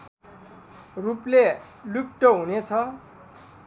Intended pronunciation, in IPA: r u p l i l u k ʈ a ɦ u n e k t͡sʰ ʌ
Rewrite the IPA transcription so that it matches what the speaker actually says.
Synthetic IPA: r u p l e l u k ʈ ʌ ɦ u n e t͡sʰ ʌ